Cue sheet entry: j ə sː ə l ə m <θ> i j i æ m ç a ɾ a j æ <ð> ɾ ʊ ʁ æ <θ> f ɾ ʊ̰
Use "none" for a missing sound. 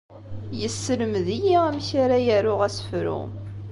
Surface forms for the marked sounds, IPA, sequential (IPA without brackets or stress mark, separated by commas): ð, none, s